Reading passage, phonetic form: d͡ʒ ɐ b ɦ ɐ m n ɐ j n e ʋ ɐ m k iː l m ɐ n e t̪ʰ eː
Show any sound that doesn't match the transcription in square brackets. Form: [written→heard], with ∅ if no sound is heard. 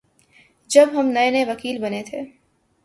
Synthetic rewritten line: d͡ʒ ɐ b ɦ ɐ m n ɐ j n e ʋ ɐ [m→∅] k iː l [m→b] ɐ n e t̪ʰ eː